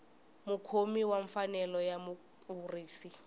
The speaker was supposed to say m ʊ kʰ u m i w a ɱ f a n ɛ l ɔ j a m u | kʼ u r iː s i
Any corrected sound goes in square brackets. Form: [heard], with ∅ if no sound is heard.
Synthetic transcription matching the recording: m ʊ kʰ [o] m i w a ɱ f a n ɛ l ɔ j a m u | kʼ u r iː s i